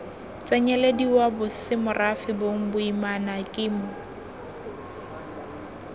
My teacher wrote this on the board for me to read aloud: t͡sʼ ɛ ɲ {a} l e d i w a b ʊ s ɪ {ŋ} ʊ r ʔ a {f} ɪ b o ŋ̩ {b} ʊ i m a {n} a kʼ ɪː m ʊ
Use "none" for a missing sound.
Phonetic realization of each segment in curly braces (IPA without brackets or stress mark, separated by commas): ɛ, m, f, b, n